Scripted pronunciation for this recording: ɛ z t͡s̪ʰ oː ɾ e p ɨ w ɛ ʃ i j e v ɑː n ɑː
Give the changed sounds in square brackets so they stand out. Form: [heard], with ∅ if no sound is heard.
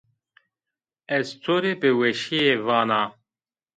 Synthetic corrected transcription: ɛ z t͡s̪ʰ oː ɾ e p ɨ w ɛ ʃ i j e v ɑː n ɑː